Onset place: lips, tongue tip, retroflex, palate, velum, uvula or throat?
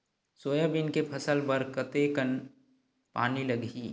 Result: tongue tip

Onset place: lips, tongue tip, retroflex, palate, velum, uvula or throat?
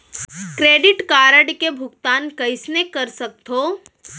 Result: velum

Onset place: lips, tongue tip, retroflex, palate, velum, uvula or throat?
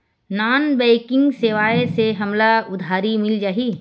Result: tongue tip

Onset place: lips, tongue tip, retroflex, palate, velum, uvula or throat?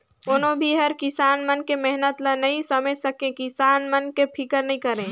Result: tongue tip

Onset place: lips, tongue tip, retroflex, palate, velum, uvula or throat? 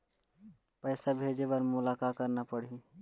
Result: lips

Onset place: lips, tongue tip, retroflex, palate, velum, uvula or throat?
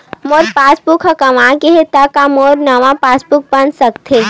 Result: lips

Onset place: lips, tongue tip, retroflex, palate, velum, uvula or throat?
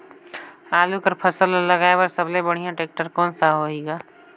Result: tongue tip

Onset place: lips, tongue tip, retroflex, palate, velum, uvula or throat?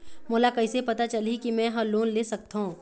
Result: lips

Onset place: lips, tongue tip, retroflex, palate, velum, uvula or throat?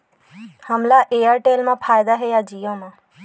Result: throat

